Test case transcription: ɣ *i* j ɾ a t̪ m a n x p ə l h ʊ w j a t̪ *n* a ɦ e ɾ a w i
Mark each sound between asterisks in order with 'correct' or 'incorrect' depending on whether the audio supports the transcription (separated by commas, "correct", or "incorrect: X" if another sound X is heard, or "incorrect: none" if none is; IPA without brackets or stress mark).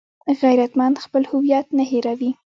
incorrect: a, correct